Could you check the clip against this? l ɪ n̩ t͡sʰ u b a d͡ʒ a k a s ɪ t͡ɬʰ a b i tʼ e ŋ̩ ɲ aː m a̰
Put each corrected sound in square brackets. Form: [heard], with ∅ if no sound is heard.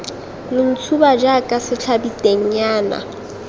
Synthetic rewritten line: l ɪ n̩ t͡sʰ u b a d͡ʒ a [kʼ] a s ɪ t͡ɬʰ a b i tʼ e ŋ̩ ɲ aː [n] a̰